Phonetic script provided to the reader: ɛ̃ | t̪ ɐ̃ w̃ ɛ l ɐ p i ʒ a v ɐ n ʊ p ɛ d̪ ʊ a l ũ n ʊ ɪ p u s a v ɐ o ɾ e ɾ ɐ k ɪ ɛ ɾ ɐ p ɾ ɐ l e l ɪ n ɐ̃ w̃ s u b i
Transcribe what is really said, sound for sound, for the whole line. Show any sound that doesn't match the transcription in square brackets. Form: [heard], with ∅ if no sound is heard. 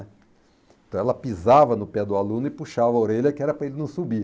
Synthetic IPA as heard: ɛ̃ | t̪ ɐ̃ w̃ ɛ l ɐ p i [z] a v ɐ n ʊ p ɛ d̪ ʊ a l ũ n ʊ ɪ p u [ʃ] a v ɐ o ɾ e [ʎ] ɐ k ɪ ɛ ɾ ɐ p ɾ ɐ [∅] e l ɪ n ɐ̃ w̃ s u b i